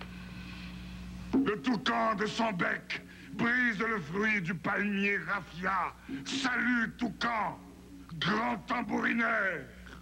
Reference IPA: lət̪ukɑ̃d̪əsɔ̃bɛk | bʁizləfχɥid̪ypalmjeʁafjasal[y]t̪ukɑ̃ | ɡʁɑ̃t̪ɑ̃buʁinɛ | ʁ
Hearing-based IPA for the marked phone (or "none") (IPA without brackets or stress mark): y